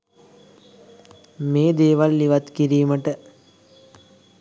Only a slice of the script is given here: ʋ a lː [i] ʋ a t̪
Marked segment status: correct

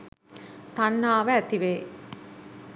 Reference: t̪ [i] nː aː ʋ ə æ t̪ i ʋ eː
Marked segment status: incorrect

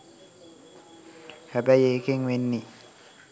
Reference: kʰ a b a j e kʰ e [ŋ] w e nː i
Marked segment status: correct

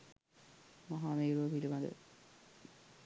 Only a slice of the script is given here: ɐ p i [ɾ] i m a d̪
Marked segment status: incorrect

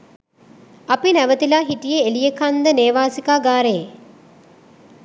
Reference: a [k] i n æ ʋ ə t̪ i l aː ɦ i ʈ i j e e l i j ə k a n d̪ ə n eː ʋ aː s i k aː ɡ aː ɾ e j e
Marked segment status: incorrect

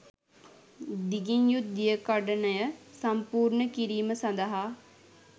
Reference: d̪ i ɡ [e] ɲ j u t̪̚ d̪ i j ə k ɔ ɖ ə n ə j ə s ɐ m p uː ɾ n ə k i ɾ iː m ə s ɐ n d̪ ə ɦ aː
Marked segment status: incorrect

